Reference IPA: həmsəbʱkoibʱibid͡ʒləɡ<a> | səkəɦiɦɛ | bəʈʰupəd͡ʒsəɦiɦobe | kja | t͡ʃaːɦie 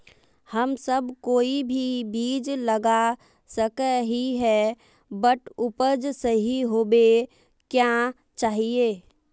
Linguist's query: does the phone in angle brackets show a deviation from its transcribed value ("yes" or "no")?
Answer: no